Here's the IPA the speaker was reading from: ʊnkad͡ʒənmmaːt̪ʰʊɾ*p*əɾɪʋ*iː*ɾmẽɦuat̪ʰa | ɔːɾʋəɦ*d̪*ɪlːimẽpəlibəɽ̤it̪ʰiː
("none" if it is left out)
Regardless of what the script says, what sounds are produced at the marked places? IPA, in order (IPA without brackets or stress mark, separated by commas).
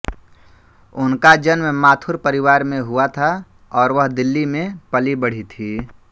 p, aː, d̪